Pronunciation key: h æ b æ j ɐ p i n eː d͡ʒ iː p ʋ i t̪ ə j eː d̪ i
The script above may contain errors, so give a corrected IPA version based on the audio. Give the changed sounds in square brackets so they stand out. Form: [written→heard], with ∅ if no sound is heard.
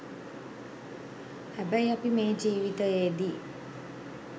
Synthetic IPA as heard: h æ b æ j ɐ p i [n→m] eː d͡ʒ iː [p→∅] ʋ i t̪ ə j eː d̪ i